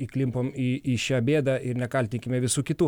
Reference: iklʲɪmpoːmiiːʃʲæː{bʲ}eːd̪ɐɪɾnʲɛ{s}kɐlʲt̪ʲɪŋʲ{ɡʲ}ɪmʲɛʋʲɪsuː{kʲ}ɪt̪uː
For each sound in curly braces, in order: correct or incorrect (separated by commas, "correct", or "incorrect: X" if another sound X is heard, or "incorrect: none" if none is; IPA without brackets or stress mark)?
correct, incorrect: none, incorrect: kʲ, correct